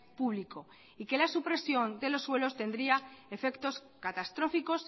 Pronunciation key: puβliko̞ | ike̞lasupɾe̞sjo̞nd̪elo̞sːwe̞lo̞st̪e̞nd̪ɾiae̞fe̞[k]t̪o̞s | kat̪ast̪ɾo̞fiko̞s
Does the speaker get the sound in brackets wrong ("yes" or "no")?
no